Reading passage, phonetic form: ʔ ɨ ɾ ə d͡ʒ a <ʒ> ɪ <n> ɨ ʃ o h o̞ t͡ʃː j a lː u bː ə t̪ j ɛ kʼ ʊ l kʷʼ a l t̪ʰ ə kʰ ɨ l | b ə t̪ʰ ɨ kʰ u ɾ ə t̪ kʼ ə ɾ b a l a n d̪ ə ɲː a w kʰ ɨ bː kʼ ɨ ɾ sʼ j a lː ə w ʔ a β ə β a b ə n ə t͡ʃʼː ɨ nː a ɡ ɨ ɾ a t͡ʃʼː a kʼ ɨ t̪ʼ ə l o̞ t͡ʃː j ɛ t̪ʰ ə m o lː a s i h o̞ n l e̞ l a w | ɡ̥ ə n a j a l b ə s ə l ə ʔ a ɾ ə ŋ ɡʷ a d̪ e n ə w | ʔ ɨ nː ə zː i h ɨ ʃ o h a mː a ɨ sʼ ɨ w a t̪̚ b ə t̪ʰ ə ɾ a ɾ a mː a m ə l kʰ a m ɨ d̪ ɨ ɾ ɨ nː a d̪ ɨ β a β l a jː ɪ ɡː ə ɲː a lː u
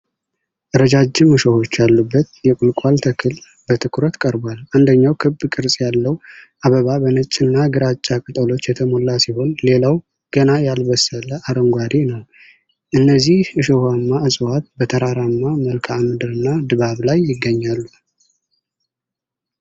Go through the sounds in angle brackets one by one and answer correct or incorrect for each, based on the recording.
incorrect, incorrect

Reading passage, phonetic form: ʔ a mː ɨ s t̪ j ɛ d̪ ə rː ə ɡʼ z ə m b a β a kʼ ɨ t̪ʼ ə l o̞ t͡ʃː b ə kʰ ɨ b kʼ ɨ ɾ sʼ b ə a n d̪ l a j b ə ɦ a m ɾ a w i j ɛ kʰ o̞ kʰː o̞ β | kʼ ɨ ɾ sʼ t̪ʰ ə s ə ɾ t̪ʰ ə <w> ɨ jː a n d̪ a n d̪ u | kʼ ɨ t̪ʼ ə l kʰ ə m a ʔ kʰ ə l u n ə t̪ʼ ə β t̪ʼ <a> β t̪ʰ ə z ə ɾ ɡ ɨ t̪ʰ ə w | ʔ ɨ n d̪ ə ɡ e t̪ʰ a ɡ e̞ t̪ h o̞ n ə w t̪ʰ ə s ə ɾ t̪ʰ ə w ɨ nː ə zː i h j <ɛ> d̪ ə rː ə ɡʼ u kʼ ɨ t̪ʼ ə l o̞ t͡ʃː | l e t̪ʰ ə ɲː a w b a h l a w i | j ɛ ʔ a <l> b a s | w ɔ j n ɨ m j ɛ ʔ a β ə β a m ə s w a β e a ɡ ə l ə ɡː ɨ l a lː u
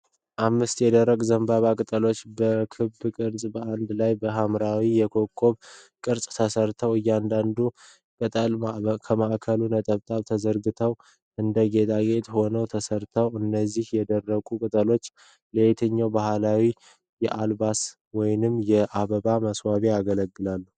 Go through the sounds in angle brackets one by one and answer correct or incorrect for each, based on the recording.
correct, correct, correct, correct

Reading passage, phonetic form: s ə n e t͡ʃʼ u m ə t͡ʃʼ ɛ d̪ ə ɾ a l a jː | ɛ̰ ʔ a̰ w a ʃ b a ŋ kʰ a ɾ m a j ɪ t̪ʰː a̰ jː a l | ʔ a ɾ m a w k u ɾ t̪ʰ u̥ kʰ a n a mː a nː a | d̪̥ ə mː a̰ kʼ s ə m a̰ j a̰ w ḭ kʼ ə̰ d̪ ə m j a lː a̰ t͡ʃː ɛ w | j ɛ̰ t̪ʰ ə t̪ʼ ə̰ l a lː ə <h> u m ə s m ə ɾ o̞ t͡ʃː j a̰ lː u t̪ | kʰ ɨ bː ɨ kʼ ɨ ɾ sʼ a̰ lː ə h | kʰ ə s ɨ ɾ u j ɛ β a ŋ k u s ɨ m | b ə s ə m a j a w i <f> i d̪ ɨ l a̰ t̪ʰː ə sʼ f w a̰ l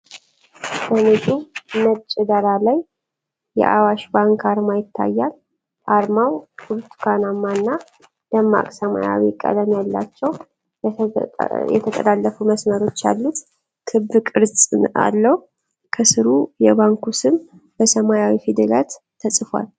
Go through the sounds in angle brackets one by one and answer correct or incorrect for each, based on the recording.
incorrect, correct

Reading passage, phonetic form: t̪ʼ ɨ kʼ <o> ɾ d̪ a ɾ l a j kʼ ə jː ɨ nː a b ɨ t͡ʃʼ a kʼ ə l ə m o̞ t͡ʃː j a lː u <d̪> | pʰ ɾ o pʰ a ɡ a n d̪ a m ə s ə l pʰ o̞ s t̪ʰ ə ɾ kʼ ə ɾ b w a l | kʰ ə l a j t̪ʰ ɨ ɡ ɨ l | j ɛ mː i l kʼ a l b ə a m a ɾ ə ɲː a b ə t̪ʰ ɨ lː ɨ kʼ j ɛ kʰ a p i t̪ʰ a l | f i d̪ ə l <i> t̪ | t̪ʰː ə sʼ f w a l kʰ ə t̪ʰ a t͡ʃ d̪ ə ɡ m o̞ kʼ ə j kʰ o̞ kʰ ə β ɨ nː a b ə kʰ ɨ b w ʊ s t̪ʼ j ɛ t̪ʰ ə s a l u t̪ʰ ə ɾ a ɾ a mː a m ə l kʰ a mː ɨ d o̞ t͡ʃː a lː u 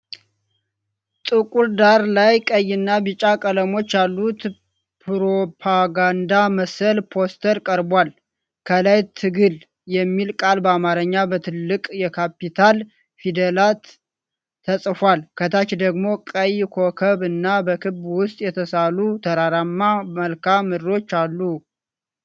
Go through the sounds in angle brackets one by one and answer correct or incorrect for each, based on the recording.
incorrect, incorrect, incorrect

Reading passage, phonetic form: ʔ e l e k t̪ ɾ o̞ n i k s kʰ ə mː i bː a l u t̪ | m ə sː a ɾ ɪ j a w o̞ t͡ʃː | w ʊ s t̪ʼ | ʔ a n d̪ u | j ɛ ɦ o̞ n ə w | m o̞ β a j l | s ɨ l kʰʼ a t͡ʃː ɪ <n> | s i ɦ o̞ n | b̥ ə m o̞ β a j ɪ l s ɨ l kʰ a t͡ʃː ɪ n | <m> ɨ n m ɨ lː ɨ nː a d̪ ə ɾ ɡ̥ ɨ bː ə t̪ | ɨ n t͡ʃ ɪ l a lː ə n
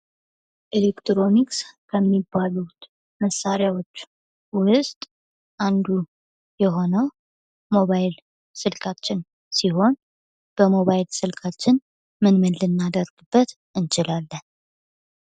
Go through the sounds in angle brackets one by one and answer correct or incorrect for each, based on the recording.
correct, correct

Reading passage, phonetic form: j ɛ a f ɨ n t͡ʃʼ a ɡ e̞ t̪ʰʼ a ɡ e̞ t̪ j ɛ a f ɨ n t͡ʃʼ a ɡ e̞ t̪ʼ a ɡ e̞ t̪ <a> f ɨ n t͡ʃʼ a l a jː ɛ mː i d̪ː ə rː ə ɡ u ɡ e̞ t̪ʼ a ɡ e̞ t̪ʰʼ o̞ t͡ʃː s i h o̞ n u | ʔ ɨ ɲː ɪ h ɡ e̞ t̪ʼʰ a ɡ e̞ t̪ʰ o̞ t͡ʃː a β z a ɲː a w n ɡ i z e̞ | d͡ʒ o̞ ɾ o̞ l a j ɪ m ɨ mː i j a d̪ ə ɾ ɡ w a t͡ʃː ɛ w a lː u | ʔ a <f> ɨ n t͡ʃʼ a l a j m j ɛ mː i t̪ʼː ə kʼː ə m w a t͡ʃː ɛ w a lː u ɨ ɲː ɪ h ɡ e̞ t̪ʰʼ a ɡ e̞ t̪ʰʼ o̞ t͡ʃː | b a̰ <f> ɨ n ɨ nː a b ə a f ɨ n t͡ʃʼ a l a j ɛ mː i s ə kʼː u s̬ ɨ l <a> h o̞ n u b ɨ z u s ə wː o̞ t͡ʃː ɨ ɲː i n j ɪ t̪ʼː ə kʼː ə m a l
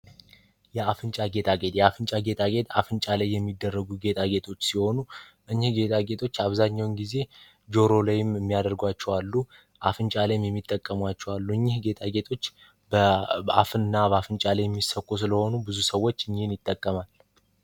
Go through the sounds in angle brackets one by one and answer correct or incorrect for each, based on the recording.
correct, correct, correct, incorrect

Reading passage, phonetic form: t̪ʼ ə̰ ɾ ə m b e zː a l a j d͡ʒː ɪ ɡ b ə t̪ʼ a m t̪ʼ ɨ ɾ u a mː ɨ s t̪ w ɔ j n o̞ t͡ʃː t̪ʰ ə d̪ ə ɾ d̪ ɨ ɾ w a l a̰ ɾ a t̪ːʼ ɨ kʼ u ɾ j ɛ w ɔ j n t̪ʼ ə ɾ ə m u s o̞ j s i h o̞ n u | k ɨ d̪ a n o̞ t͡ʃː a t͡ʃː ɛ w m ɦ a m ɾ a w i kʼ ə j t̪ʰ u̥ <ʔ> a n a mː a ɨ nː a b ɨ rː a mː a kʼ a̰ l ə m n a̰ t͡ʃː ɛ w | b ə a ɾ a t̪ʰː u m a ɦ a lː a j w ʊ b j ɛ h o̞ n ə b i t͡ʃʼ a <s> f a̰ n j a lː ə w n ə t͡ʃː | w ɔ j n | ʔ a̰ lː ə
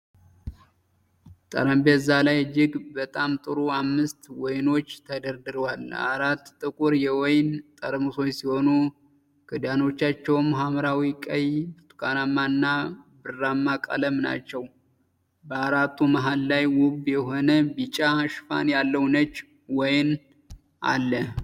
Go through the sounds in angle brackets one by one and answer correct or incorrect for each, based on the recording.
incorrect, incorrect

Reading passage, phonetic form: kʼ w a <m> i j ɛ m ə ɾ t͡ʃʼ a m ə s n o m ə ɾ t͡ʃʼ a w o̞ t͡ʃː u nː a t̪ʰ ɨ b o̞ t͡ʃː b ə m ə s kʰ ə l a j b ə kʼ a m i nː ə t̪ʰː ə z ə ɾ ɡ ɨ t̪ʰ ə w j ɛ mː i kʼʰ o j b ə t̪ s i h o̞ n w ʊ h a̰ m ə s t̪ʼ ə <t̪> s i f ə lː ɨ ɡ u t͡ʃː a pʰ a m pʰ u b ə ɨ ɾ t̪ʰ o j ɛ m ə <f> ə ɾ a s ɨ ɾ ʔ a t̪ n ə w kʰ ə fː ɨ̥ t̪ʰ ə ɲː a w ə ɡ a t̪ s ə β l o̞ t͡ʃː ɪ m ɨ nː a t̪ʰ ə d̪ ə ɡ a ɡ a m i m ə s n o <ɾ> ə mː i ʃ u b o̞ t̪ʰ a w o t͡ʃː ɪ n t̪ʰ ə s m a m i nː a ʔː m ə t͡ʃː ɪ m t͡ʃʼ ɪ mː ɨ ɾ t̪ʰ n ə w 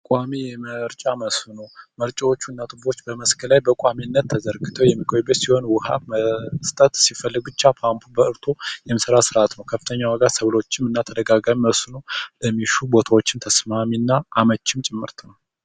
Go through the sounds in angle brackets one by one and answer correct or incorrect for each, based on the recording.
correct, correct, incorrect, incorrect

